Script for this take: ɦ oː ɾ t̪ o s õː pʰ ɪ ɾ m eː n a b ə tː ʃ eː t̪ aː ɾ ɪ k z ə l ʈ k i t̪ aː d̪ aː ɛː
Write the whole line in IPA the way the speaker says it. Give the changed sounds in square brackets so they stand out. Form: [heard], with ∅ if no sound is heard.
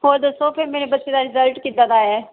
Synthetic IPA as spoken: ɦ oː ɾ [d̪] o s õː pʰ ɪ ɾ m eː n [e] b ə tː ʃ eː [d̪] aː ɾ ɪ [∅] z ə l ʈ k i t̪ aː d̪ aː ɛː